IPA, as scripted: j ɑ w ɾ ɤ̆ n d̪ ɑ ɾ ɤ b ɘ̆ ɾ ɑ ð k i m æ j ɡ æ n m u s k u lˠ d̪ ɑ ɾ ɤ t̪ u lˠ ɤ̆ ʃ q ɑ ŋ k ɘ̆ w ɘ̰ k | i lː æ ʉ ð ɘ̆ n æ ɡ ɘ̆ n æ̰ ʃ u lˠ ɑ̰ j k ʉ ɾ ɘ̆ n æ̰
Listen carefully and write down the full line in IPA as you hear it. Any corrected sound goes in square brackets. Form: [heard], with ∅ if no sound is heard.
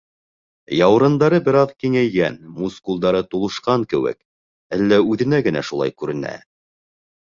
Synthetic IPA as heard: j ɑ w ɾ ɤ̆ n d̪ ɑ ɾ ɤ b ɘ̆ ɾ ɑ ð k i [ŋ] æ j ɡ æ n m u s k u lˠ d̪ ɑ ɾ ɤ t̪ u lˠ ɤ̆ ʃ q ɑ ŋ k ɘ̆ w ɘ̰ k | [æ] lː æ ʉ ð ɘ̆ n æ ɡ ɘ̆ n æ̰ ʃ u lˠ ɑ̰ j k ʉ ɾ ɘ̆ n æ̰